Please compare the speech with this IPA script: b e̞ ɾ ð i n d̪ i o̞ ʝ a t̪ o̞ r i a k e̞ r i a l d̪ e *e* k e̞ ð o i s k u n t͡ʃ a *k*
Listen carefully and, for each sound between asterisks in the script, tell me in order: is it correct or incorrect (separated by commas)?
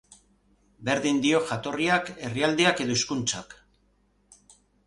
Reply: incorrect, correct